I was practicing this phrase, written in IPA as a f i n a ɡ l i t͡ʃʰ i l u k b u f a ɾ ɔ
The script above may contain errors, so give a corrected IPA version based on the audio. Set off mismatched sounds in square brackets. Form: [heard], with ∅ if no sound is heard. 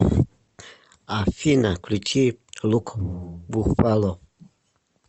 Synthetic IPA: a f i n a [k] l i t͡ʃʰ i l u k b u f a [l] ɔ